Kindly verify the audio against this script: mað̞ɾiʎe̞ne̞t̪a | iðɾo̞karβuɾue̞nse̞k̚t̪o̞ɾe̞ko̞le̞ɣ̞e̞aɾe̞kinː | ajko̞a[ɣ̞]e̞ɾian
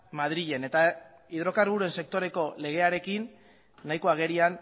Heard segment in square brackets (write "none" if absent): ɣ̞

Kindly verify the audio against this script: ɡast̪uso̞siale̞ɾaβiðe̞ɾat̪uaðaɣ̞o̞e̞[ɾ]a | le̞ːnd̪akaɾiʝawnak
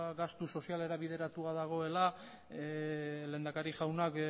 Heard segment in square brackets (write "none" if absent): l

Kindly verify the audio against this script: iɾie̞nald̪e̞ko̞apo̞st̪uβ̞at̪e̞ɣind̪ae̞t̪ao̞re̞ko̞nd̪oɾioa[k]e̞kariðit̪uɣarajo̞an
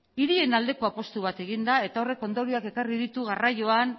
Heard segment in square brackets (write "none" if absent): k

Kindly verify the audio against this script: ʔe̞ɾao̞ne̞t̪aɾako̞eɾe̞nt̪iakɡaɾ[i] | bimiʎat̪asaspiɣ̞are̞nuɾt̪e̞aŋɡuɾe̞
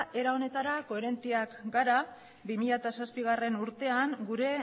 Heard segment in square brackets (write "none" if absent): a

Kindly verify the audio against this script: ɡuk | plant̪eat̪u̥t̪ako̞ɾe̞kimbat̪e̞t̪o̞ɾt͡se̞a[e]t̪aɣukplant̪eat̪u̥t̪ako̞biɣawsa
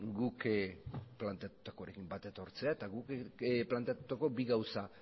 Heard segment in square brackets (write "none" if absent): e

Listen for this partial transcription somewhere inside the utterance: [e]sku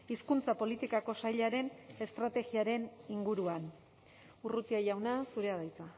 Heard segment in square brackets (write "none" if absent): i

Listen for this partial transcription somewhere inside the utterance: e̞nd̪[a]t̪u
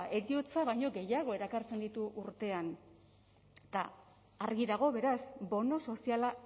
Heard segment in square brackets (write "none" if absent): i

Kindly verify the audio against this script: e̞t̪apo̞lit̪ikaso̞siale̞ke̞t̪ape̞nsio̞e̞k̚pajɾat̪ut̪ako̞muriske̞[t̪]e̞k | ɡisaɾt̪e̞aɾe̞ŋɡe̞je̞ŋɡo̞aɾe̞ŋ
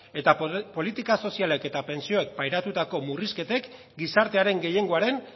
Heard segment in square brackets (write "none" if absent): t̪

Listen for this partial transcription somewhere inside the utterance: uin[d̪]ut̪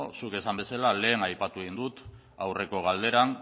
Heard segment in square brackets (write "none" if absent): d̪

